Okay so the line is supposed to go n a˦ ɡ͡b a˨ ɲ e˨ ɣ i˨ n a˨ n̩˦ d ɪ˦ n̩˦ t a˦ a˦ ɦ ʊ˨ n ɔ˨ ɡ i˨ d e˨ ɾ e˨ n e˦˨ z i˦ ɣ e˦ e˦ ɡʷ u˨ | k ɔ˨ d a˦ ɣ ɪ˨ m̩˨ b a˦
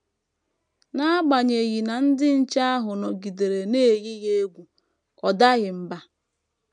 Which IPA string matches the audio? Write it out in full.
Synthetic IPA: n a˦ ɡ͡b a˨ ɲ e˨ ɣ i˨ n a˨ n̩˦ d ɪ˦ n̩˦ t͡ʃ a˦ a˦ ɦ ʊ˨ n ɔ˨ ɡ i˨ d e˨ ɾ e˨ n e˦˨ ɣ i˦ ɣ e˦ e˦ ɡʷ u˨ | k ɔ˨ d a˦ ɣ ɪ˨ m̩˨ b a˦